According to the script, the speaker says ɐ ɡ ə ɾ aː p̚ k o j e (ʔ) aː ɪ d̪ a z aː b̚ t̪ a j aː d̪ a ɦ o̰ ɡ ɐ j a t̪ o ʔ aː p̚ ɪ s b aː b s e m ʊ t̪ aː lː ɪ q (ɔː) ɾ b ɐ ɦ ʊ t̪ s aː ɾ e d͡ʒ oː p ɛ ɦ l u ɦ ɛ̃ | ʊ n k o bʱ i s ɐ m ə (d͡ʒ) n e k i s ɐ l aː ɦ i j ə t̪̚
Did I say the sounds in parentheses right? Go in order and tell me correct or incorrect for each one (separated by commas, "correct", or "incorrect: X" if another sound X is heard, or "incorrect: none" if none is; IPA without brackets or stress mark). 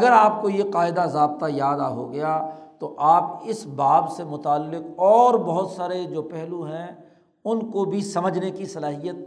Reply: incorrect: q, correct, correct